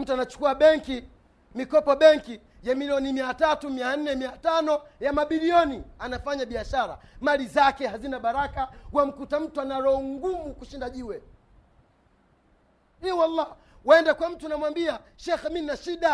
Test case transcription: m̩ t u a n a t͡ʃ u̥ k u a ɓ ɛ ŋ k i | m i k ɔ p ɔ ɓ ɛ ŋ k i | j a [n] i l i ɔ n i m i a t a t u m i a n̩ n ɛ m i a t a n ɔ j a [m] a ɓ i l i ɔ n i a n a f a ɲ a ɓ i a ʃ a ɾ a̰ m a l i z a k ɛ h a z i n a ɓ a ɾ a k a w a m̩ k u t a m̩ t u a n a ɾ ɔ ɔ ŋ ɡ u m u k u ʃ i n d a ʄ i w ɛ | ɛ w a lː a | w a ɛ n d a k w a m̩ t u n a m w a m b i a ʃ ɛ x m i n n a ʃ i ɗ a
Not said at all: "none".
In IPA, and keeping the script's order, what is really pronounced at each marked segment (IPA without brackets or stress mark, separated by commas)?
m, m